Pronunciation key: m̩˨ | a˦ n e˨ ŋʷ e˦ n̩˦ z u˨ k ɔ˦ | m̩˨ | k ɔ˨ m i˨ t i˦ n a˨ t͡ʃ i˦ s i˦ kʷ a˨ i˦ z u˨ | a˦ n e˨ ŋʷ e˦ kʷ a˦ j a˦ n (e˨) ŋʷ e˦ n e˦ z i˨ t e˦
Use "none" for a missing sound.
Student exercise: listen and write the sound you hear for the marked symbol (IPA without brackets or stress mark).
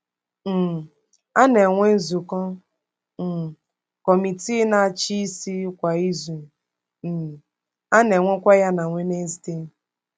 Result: a˨